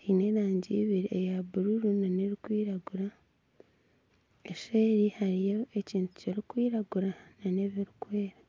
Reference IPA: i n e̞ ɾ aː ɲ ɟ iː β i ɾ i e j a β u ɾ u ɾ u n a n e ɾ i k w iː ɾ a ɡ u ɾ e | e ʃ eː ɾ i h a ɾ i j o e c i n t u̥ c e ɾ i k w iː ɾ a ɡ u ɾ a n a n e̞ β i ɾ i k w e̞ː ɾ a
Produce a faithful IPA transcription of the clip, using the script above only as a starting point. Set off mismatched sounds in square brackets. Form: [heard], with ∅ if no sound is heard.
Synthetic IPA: i n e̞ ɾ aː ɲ ɟ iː β i ɾ i e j a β u ɾ u ɾ u n a n e ɾ i k w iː ɾ a ɡ u ɾ [a] | e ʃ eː ɾ i h a ɾ i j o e c [iː] n t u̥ c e ɾ i k w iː ɾ a ɡ u ɾ a n a n e̞ β i ɾ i k w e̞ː ɾ a